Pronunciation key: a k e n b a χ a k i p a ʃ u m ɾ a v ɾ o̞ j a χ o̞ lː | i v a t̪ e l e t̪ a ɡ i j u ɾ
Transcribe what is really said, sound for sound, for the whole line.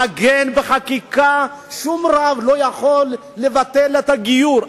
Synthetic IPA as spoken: a ɡ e n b e χ a k i k a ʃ u m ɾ a v l o̞ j a χ o̞ lː | e v a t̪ e l e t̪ a ɡ i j u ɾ